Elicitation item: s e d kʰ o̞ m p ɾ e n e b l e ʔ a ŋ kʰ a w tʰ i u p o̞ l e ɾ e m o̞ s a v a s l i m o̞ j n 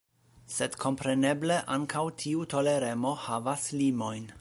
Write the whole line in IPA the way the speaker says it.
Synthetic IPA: s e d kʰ o̞ m p ɾ e n e b l e ʔ a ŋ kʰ a w tʰ i u t o̞ l e ɾ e m o̞ h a v a s l i m o̞ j n